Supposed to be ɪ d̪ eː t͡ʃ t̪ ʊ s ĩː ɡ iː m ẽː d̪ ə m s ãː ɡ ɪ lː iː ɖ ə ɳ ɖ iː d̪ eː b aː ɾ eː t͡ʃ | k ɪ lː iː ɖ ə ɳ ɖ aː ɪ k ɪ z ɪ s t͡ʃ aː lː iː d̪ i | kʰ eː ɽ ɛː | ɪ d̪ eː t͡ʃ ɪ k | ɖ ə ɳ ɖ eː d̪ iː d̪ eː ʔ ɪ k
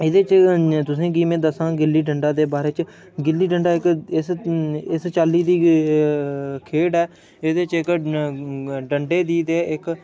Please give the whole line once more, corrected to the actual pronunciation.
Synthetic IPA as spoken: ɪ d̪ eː t͡ʃ t̪ ʊ s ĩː ɡ iː m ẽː d̪ ə s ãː ɡ ɪ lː iː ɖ ə ɳ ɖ aː d̪ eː b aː ɾ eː t͡ʃ | ɡ ɪ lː iː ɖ ə ɳ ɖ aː ɪ k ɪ s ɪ s t͡ʃ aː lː iː d̪ iː | kʰ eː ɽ ɛː | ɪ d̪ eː t͡ʃ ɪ k | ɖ ə ɳ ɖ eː d̪ iː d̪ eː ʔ ɪ k